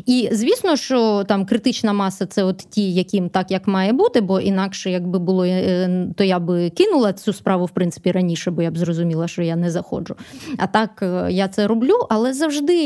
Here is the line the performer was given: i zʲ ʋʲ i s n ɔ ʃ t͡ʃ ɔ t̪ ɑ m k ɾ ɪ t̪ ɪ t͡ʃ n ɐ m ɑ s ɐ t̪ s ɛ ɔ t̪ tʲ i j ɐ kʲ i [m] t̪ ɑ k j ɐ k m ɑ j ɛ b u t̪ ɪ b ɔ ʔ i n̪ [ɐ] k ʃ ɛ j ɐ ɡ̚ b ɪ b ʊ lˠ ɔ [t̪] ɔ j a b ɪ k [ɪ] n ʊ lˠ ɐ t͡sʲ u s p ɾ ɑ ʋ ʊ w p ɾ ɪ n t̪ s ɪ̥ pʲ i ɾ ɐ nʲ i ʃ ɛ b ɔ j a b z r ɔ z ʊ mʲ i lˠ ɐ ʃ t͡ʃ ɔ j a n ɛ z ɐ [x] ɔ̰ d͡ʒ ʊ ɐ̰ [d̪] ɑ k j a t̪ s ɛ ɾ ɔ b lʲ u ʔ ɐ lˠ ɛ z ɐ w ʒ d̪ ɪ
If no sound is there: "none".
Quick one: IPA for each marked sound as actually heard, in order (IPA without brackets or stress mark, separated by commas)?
m, ɑ, t̪, ɪ, x, t̪